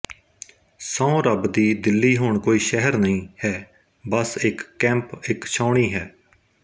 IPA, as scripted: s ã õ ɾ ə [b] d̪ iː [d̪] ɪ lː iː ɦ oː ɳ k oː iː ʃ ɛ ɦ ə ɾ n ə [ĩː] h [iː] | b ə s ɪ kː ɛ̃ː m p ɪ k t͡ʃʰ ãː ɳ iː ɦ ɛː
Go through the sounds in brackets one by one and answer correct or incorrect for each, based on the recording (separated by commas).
correct, correct, correct, incorrect